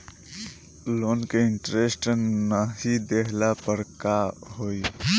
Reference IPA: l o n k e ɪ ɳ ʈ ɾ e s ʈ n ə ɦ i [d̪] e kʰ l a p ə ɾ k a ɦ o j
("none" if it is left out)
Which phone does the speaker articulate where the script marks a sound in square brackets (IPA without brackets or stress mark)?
d̪